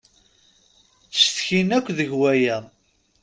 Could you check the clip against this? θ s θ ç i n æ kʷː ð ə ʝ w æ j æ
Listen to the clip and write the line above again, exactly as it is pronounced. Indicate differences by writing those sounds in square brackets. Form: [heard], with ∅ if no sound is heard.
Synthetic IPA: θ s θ ç i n æ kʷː ð ə ʝ w æ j æ